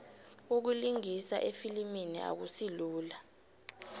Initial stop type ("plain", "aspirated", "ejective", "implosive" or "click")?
plain